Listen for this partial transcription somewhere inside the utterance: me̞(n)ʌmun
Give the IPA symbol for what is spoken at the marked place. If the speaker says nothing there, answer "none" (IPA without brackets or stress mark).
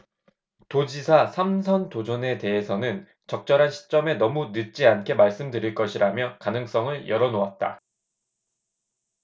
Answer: n